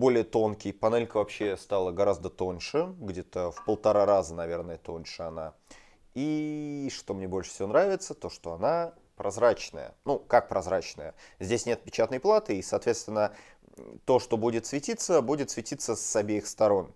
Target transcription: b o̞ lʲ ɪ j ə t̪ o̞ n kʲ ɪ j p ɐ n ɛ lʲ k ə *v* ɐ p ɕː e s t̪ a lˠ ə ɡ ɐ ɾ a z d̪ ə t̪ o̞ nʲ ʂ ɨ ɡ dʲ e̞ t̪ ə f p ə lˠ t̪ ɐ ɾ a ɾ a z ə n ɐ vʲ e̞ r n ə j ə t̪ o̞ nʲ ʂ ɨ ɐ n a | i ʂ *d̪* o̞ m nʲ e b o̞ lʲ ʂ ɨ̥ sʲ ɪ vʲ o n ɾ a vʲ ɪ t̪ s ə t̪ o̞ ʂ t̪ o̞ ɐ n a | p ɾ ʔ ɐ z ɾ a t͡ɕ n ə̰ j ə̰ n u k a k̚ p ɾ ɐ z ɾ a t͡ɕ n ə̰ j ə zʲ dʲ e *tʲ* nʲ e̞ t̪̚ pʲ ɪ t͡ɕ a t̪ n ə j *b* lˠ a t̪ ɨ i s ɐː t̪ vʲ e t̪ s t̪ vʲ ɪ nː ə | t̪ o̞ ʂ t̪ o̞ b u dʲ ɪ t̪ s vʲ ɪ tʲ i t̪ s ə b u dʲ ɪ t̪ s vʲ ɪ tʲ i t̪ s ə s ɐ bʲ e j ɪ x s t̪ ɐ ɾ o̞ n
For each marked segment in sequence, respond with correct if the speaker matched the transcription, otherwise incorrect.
correct, incorrect: t̪, incorrect: sʲ, incorrect: p

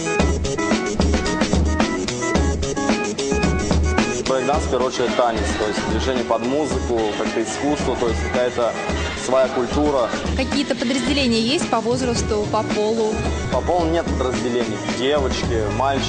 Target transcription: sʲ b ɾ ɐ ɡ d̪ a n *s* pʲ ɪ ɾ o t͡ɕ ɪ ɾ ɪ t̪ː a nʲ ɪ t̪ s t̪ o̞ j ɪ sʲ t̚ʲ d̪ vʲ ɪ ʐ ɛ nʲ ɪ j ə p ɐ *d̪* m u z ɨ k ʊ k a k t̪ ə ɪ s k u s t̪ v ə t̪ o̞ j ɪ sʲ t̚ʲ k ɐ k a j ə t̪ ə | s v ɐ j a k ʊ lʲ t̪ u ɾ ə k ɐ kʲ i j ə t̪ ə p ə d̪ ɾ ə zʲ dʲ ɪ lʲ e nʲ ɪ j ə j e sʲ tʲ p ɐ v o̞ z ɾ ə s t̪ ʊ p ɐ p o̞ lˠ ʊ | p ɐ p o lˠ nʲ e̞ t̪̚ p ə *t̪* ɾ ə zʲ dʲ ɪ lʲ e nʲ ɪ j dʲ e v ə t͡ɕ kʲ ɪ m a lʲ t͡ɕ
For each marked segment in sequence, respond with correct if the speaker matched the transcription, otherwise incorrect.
correct, correct, incorrect: d̪

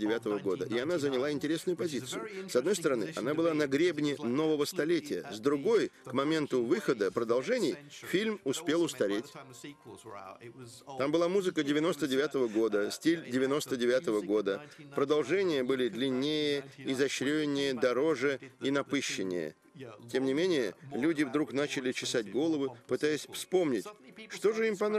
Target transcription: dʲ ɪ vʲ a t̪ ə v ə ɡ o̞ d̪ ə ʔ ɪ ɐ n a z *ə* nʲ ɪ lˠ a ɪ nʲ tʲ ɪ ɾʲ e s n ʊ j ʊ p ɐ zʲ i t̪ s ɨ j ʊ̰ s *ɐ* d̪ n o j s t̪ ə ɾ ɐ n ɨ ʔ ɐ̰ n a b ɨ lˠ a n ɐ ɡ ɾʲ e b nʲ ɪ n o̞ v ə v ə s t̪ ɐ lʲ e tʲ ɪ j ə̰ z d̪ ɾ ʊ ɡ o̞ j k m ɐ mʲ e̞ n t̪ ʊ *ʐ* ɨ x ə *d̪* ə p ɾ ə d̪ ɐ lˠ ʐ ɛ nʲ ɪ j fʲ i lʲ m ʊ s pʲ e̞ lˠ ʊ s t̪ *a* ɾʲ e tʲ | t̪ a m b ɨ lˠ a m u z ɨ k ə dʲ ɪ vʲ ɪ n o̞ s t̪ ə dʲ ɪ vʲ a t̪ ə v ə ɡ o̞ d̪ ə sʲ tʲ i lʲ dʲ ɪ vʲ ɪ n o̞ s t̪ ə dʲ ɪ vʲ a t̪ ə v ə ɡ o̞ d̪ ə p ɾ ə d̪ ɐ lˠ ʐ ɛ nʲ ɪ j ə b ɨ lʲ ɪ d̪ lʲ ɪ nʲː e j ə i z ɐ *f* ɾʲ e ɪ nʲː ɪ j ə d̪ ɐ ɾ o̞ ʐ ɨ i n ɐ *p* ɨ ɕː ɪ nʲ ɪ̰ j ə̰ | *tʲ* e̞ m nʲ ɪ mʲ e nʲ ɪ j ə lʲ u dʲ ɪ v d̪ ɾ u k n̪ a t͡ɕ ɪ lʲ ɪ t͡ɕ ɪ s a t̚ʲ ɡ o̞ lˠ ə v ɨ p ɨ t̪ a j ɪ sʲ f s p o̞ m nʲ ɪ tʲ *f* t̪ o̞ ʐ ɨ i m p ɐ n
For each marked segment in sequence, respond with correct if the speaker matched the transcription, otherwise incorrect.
correct, correct, incorrect: v, correct, incorrect: ɐ, incorrect: ɕ, correct, correct, incorrect: ʂ

